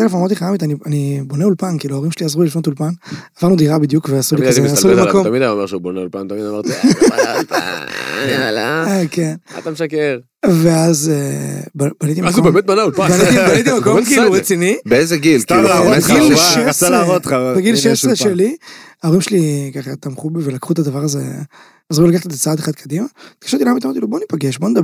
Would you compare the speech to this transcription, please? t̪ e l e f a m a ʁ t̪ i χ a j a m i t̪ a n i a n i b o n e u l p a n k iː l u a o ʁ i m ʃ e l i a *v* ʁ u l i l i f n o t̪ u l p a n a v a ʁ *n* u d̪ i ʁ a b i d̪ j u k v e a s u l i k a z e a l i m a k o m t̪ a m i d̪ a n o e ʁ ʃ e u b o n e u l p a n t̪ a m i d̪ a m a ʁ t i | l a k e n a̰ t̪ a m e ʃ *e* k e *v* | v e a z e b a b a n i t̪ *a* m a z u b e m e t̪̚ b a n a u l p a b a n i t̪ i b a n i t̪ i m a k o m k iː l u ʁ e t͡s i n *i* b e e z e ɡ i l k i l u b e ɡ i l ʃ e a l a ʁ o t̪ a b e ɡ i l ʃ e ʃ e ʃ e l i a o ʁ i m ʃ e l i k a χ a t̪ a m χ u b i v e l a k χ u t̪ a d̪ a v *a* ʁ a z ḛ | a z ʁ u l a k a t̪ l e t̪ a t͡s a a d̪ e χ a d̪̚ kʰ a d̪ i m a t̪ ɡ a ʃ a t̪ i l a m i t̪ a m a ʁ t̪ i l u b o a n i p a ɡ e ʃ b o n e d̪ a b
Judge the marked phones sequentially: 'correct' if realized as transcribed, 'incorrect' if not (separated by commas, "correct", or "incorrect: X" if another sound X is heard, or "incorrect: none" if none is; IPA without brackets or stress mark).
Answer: incorrect: z, correct, incorrect: a, incorrect: ʁ, incorrect: i, correct, correct